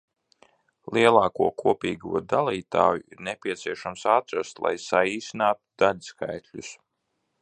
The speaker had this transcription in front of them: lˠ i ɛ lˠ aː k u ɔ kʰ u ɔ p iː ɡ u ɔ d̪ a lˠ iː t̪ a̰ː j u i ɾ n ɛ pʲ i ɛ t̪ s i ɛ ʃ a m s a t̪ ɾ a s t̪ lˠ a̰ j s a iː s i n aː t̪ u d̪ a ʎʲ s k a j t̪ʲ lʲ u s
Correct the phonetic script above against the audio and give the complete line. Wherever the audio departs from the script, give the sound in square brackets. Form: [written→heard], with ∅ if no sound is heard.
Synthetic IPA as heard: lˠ i ɛ lˠ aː k u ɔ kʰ u ɔ p iː ɡ u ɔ d̪ a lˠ iː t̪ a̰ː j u i ɾ n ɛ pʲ i ɛ t̪ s i ɛ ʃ a m s a t̪ ɾ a s t̪ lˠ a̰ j s a iː s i n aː t̪ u d̪ a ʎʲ s k a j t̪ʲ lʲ u s